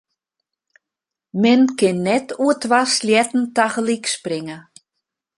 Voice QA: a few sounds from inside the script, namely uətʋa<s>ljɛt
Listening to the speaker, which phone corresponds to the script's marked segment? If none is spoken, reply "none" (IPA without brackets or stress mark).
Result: s